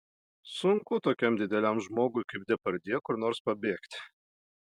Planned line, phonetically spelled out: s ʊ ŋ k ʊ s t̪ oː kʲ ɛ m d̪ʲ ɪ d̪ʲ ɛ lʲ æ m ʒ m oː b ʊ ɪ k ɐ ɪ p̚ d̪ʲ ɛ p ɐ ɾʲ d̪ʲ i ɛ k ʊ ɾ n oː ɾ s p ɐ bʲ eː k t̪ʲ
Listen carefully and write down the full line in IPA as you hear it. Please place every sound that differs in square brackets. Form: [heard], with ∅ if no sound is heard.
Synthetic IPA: s ʊ ŋ k ʊ [∅] t̪ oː kʲ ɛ m d̪ʲ ɪ d̪ʲ ɛ lʲ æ m ʒ m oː [ɡ] ʊ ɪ k ɐ ɪ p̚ d̪ʲ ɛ p ɐ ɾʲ d̪ʲ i ɛ k ʊ ɾ n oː ɾ s p ɐ bʲ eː k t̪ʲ